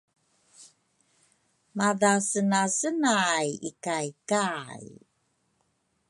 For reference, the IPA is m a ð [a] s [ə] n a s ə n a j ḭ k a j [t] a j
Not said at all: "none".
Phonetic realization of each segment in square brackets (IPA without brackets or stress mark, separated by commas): a, ə, k